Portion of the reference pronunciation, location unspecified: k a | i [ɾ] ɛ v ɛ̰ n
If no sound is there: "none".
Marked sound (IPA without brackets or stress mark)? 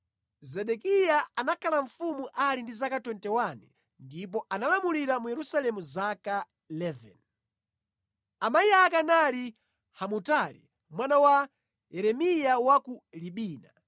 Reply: l